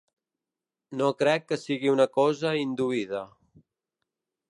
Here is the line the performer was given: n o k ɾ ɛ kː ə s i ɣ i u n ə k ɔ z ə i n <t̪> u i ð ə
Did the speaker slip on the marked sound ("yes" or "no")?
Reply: yes